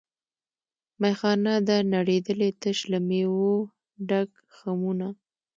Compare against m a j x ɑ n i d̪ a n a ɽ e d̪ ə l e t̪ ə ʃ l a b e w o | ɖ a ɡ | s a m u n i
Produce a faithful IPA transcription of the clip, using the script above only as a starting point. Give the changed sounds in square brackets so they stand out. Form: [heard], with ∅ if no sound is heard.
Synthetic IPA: m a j x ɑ n [a] d̪ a n a ɽ e d̪ ə l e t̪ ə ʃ l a [m] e w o | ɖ a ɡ | [x] a m u n [a]